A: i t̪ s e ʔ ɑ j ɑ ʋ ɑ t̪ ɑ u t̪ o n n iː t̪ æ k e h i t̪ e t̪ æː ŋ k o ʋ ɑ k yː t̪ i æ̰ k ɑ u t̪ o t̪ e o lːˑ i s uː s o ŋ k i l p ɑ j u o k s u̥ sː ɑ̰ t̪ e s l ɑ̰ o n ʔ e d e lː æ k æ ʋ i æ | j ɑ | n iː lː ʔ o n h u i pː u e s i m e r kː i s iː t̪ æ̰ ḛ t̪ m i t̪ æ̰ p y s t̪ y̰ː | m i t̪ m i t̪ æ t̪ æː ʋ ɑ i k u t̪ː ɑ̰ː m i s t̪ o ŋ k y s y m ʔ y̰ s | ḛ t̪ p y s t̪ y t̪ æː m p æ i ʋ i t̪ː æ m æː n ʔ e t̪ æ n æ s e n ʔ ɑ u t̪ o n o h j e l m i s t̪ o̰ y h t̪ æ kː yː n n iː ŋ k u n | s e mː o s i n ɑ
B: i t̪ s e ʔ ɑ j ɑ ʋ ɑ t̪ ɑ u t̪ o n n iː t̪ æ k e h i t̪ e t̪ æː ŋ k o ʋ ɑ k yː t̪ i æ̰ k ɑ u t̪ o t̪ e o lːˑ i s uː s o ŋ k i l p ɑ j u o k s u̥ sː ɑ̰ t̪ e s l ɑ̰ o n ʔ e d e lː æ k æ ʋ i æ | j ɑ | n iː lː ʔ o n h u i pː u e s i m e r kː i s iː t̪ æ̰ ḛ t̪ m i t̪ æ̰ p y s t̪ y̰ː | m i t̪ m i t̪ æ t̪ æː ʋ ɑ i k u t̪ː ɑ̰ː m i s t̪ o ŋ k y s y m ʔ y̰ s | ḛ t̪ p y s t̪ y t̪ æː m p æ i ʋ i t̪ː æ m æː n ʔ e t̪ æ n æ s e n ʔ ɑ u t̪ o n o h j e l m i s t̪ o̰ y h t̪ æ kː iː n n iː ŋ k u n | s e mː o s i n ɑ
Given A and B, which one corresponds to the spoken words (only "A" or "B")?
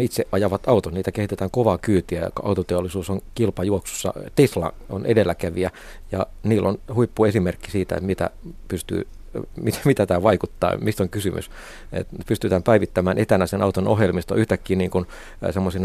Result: B